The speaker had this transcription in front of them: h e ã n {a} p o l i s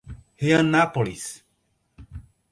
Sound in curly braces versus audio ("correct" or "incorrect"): correct